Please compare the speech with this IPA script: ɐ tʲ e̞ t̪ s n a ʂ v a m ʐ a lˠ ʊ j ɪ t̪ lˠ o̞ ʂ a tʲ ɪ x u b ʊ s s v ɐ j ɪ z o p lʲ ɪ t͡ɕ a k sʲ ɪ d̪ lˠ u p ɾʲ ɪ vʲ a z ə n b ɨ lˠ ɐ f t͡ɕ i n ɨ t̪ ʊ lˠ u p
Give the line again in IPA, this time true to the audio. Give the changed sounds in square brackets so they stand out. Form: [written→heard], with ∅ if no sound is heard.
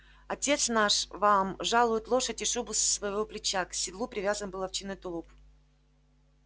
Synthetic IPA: ɐ tʲ e̞ t̪ s n a ʂ v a m ʐ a lˠ ʊ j ɪ t̪ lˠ o̞ ʂ [a→ə] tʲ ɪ [x→ʂ] u b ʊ s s v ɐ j ɪ [z→v] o p lʲ ɪ t͡ɕ a k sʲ ɪ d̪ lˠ u p ɾʲ ɪ vʲ a z ə n b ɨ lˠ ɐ f t͡ɕ i n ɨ t̪ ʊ lˠ u p